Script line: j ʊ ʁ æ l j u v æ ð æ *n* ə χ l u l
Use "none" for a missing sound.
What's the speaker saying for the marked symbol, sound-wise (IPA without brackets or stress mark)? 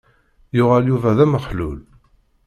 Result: m